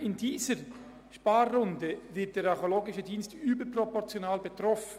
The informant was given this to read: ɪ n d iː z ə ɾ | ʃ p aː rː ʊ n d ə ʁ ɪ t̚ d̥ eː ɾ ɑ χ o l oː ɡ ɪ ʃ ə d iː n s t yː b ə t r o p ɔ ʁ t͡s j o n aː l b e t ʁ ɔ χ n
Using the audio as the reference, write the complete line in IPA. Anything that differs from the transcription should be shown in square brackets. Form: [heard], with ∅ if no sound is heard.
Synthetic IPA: ɪ n d iː z ə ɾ | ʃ p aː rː ʊ n d ə [v] ɪ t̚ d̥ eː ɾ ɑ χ o l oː ɡ ɪ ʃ ə d iː n s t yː b ə [p] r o p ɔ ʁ t͡s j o n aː l b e t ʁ ɔ [f] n